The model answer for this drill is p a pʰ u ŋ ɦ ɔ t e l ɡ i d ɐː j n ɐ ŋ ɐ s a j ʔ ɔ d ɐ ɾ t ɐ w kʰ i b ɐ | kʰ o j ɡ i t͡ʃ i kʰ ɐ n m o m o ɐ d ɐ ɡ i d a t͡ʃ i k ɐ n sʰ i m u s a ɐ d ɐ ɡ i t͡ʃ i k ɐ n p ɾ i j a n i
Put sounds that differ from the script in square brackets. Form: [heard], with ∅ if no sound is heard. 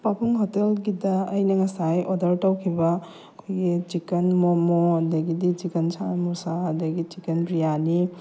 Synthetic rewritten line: p a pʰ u ŋ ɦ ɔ t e l ɡ i d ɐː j n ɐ ŋ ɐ s a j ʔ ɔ d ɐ ɾ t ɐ w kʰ i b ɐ | kʰ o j ɡ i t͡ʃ i [k] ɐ n m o m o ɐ d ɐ ɡ i d [i] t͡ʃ i k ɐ n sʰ [a] m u s a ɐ d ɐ ɡ i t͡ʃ i k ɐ n p ɾ i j a n i